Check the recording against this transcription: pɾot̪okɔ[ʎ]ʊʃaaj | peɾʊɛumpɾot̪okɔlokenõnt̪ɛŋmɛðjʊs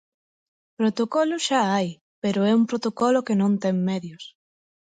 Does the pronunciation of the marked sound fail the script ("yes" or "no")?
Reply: yes